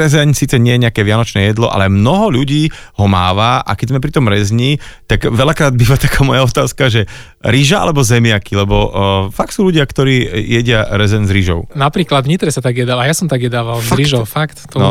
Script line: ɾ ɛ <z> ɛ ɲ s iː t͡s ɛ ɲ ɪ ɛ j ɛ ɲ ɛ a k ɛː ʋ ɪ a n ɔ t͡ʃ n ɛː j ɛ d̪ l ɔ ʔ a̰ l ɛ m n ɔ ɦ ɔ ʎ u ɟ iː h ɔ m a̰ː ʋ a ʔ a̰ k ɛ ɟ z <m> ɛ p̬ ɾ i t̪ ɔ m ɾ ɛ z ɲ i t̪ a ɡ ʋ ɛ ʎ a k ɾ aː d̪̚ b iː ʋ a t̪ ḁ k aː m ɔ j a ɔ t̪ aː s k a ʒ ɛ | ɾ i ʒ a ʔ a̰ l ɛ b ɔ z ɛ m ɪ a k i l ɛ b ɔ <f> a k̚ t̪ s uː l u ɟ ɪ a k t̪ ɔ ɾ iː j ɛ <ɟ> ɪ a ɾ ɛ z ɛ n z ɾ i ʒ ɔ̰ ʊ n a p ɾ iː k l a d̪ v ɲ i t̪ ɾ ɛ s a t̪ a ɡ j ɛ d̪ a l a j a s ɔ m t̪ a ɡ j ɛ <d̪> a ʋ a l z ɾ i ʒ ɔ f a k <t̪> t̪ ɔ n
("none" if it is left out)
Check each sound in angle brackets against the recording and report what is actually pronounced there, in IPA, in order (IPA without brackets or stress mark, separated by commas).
z, m, f, ɟ, d̪, t̪